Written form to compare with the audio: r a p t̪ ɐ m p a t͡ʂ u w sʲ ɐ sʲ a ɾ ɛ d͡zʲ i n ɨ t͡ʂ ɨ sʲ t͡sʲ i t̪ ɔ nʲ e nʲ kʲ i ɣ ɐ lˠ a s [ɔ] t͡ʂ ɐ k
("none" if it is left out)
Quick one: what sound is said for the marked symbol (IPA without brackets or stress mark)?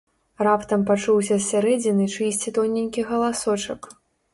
ɔ